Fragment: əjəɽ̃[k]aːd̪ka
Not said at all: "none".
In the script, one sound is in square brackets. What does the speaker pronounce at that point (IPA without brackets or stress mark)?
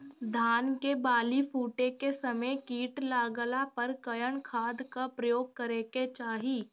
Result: kʰ